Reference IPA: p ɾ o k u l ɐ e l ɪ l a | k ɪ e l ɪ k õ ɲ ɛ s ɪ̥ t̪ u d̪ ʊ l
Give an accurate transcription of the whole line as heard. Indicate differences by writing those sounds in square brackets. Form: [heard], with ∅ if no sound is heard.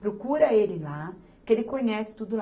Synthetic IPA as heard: p ɾ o k u [ɾ] ɐ e l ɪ l a | k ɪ e l ɪ k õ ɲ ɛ s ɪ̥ t̪ u d̪ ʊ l